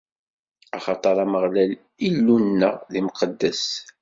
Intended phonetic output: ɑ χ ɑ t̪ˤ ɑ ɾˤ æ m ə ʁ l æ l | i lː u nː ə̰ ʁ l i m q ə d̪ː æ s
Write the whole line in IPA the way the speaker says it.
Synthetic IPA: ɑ χ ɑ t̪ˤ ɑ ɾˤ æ m ə ʁ l æ l | i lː u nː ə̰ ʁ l i m q ə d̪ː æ s